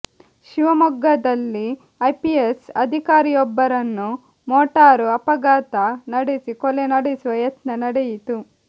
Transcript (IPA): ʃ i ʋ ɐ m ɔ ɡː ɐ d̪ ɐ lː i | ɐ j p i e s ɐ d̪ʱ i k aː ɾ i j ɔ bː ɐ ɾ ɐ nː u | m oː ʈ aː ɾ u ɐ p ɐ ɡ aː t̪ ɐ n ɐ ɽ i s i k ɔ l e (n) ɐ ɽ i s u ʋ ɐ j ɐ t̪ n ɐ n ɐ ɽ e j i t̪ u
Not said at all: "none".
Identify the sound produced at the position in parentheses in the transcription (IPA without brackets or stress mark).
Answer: n